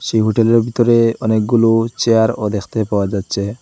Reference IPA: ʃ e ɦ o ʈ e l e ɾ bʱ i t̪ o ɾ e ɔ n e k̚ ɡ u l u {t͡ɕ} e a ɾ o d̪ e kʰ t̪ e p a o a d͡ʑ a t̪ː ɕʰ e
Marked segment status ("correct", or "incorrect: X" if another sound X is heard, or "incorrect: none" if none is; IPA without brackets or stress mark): correct